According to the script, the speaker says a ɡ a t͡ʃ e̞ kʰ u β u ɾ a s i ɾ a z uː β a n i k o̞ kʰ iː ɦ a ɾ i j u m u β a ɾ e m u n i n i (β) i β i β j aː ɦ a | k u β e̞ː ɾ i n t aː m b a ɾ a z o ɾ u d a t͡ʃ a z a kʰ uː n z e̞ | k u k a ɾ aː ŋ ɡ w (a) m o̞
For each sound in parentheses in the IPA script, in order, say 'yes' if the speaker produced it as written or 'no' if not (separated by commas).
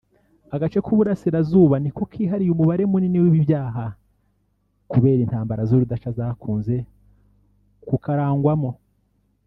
no, yes